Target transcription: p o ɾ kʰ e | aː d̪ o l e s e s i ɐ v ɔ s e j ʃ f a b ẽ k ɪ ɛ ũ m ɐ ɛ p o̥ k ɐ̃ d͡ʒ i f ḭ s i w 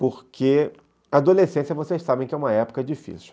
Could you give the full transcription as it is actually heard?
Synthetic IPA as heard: p o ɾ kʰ e | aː d̪ o l e s ẽ s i ɐ v o s e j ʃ s a b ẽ k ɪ ɛ ũ m ɐ ɛ p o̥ k ɐ d͡ʒ i f ḭ s i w